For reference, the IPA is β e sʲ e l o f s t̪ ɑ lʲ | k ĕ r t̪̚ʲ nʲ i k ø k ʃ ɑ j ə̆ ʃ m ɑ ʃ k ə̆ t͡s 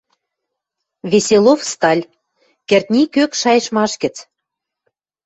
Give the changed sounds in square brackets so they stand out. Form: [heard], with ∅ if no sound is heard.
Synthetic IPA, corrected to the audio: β e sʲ e l o f s t̪ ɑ lʲ | k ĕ r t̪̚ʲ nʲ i k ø k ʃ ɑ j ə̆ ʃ m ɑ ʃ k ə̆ t͡s